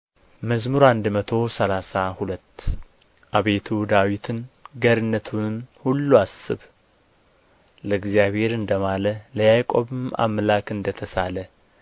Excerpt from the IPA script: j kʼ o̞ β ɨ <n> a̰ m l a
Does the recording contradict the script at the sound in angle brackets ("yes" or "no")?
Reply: yes